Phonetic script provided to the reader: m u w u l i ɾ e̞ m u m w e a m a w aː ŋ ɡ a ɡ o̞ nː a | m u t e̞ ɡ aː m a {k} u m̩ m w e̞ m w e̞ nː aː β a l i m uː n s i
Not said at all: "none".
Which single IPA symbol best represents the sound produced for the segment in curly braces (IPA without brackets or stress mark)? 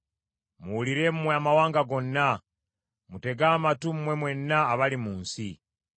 t